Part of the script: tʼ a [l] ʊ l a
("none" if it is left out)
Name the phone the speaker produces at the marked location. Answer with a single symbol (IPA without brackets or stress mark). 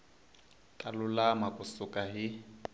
l